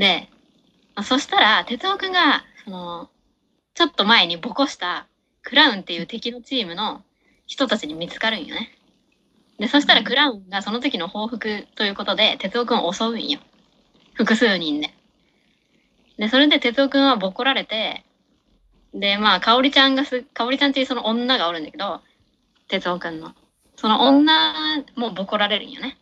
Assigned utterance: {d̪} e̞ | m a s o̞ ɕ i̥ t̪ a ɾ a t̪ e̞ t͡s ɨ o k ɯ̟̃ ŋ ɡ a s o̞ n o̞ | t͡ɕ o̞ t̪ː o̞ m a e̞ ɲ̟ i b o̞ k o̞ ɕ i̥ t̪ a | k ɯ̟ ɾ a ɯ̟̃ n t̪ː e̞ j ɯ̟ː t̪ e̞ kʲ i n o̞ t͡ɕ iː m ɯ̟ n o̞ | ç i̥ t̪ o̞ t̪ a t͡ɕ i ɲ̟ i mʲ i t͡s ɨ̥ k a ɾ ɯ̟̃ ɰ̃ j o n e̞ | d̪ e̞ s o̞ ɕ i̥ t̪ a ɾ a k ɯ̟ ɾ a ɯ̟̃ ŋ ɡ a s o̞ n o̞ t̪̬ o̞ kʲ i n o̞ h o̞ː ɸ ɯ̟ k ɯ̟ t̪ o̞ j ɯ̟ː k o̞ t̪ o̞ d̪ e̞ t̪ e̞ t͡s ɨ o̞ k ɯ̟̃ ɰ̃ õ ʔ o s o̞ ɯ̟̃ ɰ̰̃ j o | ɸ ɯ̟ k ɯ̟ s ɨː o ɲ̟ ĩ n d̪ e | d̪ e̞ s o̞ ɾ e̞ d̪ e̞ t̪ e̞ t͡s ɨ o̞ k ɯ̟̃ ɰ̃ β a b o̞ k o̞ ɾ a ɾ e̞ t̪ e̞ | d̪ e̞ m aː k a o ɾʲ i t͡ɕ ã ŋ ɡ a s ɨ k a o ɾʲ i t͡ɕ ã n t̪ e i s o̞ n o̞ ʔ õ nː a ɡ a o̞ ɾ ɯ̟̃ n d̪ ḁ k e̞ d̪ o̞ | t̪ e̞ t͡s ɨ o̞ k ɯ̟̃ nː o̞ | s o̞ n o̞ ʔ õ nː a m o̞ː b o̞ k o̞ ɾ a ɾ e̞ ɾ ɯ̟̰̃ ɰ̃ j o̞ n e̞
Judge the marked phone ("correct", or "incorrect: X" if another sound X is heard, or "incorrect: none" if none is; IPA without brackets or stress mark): correct